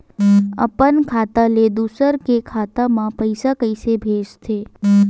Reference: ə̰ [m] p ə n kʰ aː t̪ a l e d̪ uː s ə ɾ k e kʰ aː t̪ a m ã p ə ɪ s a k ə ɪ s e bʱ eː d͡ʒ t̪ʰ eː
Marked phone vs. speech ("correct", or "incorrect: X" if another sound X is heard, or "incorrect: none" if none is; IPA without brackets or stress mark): incorrect: none